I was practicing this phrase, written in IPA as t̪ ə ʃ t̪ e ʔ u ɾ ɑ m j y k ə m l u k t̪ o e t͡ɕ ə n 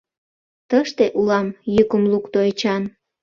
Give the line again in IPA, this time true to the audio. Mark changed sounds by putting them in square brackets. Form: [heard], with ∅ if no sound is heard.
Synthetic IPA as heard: t̪ ə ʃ t̪ e ʔ u [l] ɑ m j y k ə m l u k t̪ o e t͡ɕ [ɑ] n